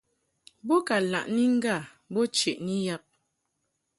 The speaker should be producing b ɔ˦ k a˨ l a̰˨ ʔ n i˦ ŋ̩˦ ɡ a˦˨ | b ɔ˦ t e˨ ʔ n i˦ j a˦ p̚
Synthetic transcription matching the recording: b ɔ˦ k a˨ l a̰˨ ʔ n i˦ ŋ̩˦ ɡ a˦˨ | b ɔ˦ t͡ʃ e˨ ʔ n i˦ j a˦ p̚